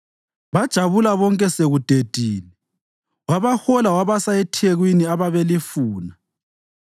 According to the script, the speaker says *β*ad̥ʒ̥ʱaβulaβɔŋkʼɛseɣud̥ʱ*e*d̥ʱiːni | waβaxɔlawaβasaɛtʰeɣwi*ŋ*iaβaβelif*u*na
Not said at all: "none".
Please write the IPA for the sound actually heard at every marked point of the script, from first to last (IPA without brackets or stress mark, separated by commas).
β, e, n, uː